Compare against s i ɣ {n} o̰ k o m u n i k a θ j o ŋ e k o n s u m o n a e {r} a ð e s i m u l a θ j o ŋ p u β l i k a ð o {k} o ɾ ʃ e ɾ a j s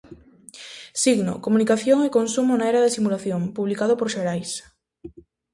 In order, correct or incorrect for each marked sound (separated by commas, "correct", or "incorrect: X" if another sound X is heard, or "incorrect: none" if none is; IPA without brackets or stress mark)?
correct, incorrect: ɾ, incorrect: p